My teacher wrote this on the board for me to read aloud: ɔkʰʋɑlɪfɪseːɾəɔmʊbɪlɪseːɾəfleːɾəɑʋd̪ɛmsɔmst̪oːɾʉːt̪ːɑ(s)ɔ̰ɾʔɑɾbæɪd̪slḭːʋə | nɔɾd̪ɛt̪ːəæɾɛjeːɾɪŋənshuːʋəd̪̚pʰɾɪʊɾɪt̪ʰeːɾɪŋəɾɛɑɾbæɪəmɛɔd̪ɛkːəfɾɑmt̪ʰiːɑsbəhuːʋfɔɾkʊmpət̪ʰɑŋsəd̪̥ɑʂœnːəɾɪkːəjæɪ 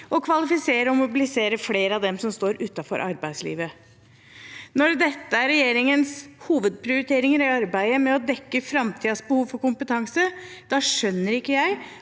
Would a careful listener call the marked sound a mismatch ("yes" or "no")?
yes